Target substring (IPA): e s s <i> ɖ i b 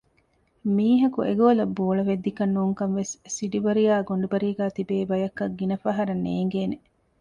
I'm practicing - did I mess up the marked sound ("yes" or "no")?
no